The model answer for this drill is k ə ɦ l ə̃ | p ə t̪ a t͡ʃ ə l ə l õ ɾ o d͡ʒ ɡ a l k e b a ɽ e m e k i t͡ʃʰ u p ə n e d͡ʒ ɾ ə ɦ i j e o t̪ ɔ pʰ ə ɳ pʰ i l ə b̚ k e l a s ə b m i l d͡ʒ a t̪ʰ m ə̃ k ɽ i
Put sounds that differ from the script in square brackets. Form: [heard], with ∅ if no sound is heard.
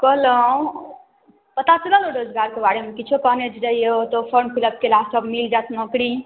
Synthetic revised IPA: k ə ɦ l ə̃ | p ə t̪ a t͡ʃ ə l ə l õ ɾ o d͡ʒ ɡ a [ɾ] k e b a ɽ e m e k i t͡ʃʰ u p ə n e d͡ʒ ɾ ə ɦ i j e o t̪ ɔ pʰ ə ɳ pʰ i l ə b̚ k e l a s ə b m i l d͡ʒ a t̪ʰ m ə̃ k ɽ i

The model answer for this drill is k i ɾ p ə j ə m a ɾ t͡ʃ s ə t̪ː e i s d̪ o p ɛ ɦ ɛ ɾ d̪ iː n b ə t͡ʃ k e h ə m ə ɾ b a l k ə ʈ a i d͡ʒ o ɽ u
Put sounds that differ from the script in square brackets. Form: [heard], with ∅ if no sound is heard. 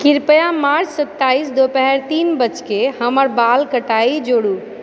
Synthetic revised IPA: k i ɾ p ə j [a] m a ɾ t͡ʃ s ə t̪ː [a] i s d̪ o p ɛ ɦ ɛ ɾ [t̪] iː n b ə t͡ʃ k e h ə m ə ɾ b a l k ə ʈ a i d͡ʒ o ɽ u

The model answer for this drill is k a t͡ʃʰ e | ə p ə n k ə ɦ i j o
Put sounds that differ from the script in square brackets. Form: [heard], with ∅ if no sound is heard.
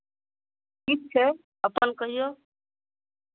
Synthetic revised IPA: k [i] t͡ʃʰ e | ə p ə n k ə ɦ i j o

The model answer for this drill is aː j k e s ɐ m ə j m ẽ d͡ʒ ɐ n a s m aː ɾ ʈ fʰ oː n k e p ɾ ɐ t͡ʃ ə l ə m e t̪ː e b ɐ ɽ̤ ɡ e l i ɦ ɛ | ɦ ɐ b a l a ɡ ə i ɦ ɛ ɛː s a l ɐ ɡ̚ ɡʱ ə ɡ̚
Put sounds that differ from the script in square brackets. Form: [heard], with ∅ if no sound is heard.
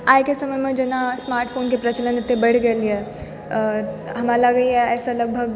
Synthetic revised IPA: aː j k e s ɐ m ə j m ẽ d͡ʒ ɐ n a s m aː ɾ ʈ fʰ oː n k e p ɾ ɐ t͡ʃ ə l ə [n] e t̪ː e b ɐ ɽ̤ ɡ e l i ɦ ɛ | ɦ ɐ [m] a l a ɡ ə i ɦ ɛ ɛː s a l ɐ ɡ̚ [bʱ] ə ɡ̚

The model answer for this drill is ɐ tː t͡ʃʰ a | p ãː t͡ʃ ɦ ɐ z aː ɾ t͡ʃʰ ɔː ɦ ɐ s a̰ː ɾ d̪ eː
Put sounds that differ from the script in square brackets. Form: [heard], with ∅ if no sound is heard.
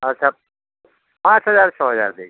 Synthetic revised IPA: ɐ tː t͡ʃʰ a | p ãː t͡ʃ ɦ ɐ z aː ɾ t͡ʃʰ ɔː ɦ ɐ [z] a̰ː ɾ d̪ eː

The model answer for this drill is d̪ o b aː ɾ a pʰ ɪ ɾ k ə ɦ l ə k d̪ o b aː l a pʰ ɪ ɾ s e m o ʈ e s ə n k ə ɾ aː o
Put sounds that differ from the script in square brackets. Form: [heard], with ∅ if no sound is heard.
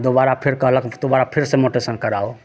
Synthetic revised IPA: d̪ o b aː ɾ a pʰ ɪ ɾ k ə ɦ l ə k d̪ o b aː [ɾ] a pʰ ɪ ɾ s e m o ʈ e s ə n k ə ɾ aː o

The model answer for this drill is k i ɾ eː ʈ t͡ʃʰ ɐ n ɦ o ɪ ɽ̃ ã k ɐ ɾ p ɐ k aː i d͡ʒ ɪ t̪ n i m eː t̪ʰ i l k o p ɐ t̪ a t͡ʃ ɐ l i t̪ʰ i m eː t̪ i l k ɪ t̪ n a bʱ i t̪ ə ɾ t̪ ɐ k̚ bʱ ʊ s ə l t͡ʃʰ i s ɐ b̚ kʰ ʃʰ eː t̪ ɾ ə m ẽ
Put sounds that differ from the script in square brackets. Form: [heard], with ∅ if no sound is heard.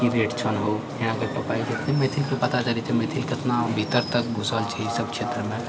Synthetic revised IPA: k i ɾ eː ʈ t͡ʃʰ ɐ n ɦ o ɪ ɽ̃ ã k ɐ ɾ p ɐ [p] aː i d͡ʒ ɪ t̪ n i m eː t̪ʰ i l k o p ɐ t̪ a t͡ʃ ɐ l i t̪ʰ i m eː [t̪ʰ] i l k ɪ t̪ n a bʱ i t̪ ə ɾ t̪ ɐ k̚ bʱ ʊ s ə l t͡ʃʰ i s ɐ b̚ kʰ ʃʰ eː t̪ ɾ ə m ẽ

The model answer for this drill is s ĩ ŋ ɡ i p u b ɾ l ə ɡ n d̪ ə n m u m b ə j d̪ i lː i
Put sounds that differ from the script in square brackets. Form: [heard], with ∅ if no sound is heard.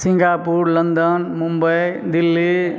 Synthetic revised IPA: s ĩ ŋ ɡ [a] p u [∅] ɾ l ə [∅] n d̪ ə n m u m b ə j d̪ i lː i

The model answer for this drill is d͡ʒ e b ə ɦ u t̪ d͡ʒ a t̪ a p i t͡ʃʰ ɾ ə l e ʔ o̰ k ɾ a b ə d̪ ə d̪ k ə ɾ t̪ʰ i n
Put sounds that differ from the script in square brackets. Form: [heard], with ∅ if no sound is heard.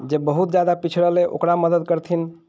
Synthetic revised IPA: d͡ʒ e b ə ɦ u t̪ d͡ʒ a [d̪] a p i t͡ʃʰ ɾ ə l e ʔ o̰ k ɾ a [m] ə d̪ ə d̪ k ə ɾ t̪ʰ i n

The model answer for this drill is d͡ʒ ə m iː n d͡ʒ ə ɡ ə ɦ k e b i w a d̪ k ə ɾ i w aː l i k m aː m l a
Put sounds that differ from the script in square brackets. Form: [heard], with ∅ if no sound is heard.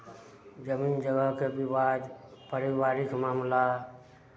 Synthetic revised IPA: d͡ʒ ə m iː n d͡ʒ ə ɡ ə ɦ k e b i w a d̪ [p] ə ɾ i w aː [ɾ] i k m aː m l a

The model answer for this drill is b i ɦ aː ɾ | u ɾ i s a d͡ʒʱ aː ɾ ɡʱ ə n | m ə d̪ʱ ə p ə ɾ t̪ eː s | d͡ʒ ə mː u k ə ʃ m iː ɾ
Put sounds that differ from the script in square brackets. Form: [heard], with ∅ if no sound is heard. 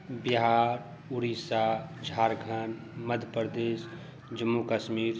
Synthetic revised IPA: b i ɦ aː ɾ | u ɾ i s a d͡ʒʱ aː ɾ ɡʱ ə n | m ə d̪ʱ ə p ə ɾ [d̪] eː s | d͡ʒ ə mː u k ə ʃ m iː ɾ

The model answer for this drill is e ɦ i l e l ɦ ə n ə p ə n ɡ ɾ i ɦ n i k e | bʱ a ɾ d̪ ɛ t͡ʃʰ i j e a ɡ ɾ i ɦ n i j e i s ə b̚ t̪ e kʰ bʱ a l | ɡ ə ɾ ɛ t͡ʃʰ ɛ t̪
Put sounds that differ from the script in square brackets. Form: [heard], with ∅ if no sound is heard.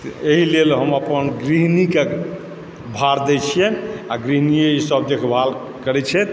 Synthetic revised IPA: e ɦ i l e l ɦ ə [m] ə p ə n ɡ ɾ i ɦ n i k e | bʱ a ɾ d̪ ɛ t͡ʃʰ i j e a ɡ ɾ i ɦ n i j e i s ə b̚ [d̪] e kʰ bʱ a l | [k] ə ɾ ɛ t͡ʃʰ ɛ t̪

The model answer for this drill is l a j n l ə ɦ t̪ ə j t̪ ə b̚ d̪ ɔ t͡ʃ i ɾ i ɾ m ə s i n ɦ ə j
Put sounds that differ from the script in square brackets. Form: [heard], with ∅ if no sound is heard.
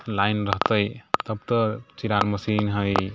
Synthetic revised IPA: l a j n [ɾ] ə ɦ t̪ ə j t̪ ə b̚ [t̪] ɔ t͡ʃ i ɾ [a] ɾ m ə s i n ɦ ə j

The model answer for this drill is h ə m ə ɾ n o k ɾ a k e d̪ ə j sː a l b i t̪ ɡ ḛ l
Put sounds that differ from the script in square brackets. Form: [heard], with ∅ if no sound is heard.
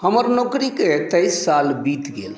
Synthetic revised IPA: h ə m ə ɾ n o k ɾ [i] k e [t̪] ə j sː a l b i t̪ ɡ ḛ l

